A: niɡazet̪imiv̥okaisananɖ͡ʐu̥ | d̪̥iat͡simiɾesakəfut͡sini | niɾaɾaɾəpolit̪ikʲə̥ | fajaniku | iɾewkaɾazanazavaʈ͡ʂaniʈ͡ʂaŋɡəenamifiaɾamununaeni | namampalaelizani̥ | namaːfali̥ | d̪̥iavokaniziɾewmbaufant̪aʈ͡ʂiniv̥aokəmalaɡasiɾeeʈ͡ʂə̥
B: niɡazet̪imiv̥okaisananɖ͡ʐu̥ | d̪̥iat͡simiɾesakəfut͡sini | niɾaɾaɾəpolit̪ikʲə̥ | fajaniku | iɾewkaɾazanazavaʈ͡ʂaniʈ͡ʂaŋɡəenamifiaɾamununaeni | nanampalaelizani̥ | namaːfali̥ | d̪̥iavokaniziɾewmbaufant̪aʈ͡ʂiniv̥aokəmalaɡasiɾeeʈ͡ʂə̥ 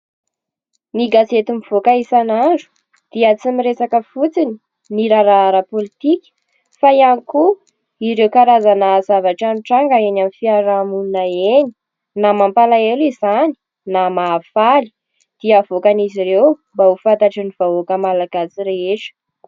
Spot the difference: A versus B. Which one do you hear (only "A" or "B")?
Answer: A